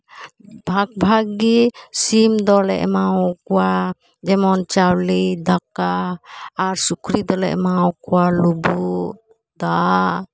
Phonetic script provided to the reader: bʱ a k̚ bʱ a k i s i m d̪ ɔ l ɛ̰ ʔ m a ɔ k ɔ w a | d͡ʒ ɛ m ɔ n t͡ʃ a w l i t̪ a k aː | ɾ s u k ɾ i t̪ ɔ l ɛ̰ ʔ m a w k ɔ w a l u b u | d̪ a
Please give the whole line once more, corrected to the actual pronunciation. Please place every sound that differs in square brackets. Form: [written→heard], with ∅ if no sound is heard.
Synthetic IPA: bʱ a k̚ bʱ a [k→ɡ] i s i m d̪ ɔ l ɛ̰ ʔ m a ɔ k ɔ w a | d͡ʒ ɛ m ɔ n t͡ʃ a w l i [t̪→d̪] a k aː | ɾ s u k ɾ i [t̪→d̪] ɔ l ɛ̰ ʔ m a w k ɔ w a l u b u | d̪ a